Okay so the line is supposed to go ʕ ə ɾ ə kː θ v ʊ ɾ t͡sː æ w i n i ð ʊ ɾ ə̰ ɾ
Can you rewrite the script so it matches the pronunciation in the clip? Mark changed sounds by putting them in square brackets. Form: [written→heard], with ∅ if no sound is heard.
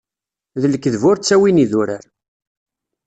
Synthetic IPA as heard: [ʕ→ð] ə [ɾ→l] ə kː [θ→ð] v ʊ ɾ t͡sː æ w i n i ð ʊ ɾ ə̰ ɾ